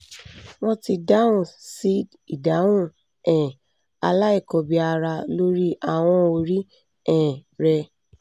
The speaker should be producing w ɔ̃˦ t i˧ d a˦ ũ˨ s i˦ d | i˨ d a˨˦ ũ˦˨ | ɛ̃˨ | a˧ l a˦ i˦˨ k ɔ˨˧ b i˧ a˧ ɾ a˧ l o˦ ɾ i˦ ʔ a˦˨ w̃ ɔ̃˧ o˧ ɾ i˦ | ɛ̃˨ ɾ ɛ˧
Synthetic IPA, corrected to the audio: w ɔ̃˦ t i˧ d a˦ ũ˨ s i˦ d | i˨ d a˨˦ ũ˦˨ | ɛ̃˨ | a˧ l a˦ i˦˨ k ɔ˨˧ b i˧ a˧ ɾ a˧ l o˦ ɾ i˦ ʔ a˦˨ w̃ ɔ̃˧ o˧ ɾ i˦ | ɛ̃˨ ɾ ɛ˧

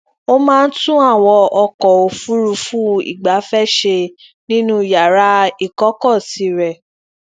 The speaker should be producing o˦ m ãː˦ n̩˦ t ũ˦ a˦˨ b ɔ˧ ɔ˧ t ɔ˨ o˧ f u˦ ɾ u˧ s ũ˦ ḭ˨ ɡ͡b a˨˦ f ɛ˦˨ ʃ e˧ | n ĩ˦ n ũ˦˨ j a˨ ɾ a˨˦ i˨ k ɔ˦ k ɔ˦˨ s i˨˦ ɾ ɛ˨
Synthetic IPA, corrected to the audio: o˦ m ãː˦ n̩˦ t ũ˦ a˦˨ w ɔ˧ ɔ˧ k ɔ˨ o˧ f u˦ ɾ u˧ f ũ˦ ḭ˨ ɡ͡b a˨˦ f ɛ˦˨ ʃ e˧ | n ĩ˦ n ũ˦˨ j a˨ ɾ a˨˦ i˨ k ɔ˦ k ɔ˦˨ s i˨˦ ɾ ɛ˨

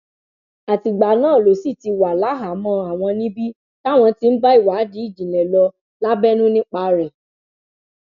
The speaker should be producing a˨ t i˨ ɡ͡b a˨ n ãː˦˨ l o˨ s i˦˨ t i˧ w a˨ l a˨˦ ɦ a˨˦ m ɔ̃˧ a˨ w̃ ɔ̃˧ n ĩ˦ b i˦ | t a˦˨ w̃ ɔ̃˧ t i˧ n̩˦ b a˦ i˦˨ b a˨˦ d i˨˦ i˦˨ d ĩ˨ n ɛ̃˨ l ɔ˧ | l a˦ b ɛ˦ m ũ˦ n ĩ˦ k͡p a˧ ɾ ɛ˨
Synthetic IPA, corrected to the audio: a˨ t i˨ ɡ͡b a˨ n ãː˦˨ l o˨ s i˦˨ t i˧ w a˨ l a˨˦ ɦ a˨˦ m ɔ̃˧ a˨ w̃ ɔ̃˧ n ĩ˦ b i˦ | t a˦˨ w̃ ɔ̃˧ t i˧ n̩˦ b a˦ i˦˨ w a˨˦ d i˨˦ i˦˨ d͡ʒ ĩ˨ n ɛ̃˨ l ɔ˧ | l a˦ b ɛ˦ n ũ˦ n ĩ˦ k͡p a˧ ɾ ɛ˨

